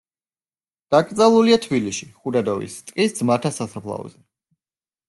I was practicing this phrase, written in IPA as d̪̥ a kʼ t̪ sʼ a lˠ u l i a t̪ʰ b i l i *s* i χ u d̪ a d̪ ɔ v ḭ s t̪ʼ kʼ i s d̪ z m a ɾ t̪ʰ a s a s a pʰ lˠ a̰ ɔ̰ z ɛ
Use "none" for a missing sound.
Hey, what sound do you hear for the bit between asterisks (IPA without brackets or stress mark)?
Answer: ʃ